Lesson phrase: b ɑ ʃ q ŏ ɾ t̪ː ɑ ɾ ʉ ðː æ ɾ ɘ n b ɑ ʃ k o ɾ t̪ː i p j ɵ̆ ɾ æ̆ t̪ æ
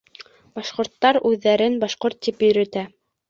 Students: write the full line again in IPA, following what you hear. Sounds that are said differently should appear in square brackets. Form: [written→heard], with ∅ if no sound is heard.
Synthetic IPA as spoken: b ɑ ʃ q ŏ ɾ t̪ː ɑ ɾ ʉ ðː æ ɾ ɘ n b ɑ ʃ [k→q] o ɾ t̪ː i p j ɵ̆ ɾ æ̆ t̪ æ